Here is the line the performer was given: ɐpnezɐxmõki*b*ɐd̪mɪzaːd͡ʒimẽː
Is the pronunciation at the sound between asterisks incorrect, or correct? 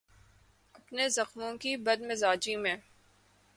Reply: correct